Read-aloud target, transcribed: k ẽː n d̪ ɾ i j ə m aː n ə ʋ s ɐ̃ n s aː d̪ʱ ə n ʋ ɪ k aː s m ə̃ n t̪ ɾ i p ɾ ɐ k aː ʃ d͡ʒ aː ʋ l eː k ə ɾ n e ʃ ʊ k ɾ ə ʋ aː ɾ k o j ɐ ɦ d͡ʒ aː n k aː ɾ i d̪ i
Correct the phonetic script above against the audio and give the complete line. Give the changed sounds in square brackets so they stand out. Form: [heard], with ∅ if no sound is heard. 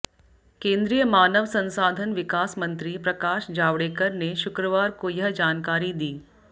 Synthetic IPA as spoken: k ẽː n d̪ ɾ i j ə m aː n ə ʋ s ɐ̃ n s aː d̪ʱ ə n ʋ ɪ k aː s m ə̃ n t̪ ɾ i p ɾ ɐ k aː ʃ d͡ʒ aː ʋ [ɽ] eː k ə ɾ n e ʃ ʊ k ɾ ə ʋ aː ɾ k o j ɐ ɦ d͡ʒ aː n k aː ɾ i d̪ [iː]